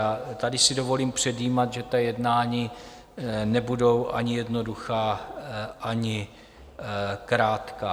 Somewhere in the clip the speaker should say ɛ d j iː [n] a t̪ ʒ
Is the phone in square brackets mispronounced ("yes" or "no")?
yes